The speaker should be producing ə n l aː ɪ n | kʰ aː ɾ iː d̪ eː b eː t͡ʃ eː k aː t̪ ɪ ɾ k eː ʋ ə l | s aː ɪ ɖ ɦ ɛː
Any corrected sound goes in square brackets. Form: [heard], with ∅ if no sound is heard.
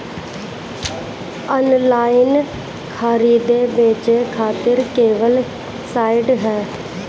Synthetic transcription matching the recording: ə n l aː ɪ n | kʰ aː ɾ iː d̪ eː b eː t͡ʃ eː [kʰ] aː t̪ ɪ ɾ k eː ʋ ə l | s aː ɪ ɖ ɦ ɛː